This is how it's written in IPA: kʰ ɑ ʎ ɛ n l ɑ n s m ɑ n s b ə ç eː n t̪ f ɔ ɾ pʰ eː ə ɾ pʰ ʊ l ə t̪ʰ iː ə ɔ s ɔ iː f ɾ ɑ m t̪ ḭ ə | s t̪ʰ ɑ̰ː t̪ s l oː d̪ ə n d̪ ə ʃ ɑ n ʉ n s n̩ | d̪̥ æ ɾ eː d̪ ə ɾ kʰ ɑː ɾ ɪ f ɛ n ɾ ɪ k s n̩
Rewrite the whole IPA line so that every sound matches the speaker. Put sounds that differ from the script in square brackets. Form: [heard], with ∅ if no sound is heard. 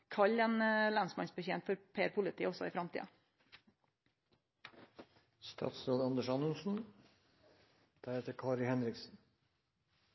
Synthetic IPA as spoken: kʰ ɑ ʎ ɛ n l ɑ n s m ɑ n s b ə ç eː n t̪ f ɔ ɾ pʰ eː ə ɾ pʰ ʊ l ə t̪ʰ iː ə ɔ s ɔ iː f ɾ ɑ m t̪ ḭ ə | s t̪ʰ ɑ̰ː t̪ s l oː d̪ [ɑ] n d̪ ə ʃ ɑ n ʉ n s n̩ | d̪̥ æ ɾ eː [t̪] ə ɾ kʰ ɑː ɾ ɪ [h] ɛ n ɾ ɪ k s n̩

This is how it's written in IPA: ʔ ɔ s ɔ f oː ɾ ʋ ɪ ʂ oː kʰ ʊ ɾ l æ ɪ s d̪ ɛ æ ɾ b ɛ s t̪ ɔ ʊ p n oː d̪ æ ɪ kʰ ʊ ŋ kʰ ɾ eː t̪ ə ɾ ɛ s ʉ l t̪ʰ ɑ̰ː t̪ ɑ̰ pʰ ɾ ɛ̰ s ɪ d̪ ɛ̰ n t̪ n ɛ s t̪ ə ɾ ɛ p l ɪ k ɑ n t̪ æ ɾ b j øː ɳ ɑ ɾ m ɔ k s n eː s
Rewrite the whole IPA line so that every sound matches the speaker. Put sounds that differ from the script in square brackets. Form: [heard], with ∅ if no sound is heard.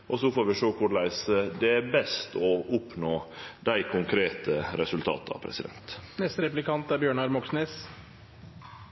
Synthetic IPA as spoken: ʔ ɔ s ɔ f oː ɾ ʋ ɪ ʂ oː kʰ ʊ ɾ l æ ɪ s d̪ ɛ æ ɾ b ɛ s t̪ ɔ ʊ p n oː d̪ æ ɪ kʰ ʊ ŋ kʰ ɾ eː t̪ ə ɾ ɛ s ʉ l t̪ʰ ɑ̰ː t̪ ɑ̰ pʰ ɾ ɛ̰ s ɪ d̪ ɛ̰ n t̪ n ɛ s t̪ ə ɾ ɛ p l ɪ k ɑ n t̪ æ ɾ b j øː ɳ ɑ ɾ m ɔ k s n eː s

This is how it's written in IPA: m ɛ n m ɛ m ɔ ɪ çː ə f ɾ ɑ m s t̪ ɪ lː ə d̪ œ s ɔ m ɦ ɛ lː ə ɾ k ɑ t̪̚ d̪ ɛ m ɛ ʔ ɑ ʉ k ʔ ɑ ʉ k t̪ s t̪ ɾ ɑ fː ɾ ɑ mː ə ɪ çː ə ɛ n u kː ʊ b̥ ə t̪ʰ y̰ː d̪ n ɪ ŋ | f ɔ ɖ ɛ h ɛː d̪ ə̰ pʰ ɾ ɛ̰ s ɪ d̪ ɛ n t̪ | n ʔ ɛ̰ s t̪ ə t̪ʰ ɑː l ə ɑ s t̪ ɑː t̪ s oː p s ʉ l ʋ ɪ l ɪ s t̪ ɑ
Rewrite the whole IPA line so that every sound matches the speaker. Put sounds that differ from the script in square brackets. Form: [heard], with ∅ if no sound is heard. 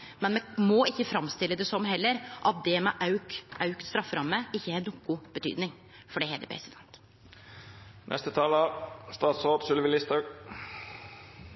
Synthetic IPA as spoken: m ɛ n m ɛ m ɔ ɪ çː ə f ɾ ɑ m s t̪ ɪ lː ə d̪ [ɛ] s ɔ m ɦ ɛ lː ə ɾ [ʔ] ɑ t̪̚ d̪ ɛ m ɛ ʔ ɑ ʉ k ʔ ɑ ʉ k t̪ s t̪ ɾ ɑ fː ɾ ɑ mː ə ɪ çː ə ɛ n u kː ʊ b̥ ə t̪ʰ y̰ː d̪ n ɪ ŋ | f ɔ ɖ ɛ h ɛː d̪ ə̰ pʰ ɾ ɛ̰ s ɪ d̪ ɛ n t̪ | n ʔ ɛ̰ s t̪ ə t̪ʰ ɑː l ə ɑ s t̪ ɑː t̪ s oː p s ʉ l ʋ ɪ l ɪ s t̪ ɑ

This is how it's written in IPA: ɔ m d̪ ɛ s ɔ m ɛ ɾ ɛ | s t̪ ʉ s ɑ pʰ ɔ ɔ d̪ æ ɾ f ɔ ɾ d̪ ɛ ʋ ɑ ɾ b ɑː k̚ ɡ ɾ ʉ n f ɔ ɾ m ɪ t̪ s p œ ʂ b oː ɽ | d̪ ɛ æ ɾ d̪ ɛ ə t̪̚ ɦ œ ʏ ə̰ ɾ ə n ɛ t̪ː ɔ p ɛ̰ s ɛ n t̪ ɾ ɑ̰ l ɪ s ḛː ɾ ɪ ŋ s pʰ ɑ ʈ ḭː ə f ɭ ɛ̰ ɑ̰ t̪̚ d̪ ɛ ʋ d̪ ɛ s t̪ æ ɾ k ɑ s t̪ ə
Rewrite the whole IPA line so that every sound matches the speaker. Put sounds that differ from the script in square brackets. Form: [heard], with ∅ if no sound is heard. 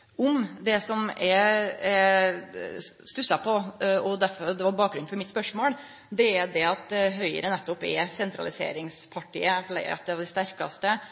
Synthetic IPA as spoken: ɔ m d̪ ɛ s ɔ m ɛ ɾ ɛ | s t̪ ʉ s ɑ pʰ ɔ ɔ d̪ æ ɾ f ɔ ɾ d̪ ɛ ʋ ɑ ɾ b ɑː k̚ ɡ ɾ ʉ n f ɔ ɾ m ɪ t̪ s p œ ʂ [m] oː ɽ | d̪ ɛ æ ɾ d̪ ɛ [ɑ] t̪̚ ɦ œ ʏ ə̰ ɾ ə n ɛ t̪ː ɔ p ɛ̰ s ɛ n t̪ ɾ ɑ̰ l ɪ s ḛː ɾ ɪ ŋ s pʰ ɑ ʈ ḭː ə f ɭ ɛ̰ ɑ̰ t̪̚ d̪ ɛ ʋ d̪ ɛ s t̪ æ ɾ k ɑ s t̪ ə

